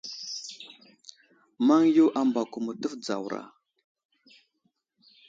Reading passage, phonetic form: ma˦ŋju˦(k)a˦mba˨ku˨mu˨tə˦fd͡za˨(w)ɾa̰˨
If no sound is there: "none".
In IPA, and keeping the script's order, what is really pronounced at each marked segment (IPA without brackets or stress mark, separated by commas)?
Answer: ʔ, w